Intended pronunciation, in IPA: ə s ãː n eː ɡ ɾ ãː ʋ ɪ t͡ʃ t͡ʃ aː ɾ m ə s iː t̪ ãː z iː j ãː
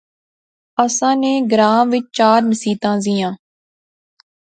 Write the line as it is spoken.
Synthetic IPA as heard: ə s ãː n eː ɡ ɾ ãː ʋ ɪ t͡ʃ t͡ʃ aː ɾ n ə s iː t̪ ãː z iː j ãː